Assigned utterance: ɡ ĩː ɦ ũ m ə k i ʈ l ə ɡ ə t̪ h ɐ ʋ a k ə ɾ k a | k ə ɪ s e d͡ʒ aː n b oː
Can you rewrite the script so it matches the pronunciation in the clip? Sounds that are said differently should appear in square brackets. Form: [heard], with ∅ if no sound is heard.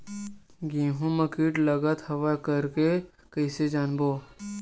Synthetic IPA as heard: ɡ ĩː ɦ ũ m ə k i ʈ l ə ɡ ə t̪ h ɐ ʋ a k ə ɾ k [e] | k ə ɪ s e d͡ʒ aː n b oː